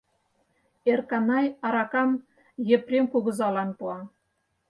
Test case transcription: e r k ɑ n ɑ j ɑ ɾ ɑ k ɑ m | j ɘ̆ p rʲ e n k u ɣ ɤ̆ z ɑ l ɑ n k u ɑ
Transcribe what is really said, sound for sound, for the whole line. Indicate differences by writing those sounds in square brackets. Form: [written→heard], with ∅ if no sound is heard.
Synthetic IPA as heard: e r k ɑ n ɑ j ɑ ɾ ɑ k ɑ m | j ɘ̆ p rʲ e [n→m] k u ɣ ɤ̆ z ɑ l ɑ n [k→p] u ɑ